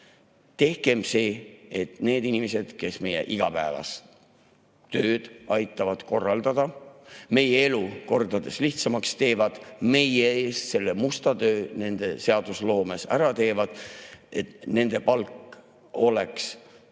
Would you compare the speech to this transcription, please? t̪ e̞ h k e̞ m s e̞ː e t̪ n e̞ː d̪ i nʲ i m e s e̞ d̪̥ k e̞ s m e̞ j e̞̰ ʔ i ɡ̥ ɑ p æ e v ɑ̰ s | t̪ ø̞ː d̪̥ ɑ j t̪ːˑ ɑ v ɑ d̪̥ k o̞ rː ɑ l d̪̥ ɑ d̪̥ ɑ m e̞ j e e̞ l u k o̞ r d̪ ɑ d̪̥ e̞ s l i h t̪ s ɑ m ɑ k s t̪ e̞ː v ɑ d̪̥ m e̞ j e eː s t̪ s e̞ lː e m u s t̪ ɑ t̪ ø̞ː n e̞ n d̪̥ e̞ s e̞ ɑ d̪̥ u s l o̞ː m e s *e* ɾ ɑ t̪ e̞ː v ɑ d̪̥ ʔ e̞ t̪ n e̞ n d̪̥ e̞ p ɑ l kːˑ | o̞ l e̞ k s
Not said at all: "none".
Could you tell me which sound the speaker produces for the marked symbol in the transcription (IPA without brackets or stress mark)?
æ